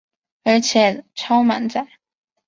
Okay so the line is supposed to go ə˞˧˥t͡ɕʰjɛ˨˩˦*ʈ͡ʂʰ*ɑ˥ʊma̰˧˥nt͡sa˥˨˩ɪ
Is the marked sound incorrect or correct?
correct